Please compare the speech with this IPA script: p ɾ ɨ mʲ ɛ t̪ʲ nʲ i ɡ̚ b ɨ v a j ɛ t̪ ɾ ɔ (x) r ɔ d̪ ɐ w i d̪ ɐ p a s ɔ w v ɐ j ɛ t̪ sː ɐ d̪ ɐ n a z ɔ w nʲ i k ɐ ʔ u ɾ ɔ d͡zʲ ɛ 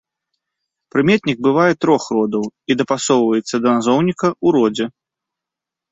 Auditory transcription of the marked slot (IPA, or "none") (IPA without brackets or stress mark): x